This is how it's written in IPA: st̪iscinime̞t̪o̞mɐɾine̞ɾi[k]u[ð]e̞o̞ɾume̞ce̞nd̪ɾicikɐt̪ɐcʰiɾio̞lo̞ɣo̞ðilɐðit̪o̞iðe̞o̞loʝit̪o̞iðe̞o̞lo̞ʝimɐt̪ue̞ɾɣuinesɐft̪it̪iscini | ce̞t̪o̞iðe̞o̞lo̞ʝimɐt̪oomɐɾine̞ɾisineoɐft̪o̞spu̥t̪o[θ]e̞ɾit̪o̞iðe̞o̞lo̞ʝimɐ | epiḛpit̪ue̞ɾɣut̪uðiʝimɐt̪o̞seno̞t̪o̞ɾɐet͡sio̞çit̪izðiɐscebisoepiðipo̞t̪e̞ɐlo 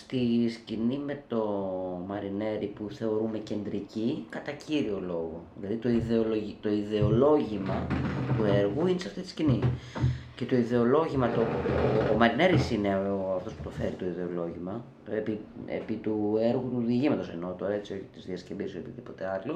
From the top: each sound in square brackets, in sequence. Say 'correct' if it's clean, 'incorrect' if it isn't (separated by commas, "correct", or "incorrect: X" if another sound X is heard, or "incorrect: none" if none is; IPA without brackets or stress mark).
incorrect: p, incorrect: θ, incorrect: f